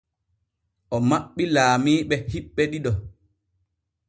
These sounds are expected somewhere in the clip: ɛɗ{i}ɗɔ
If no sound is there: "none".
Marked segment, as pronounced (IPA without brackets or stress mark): i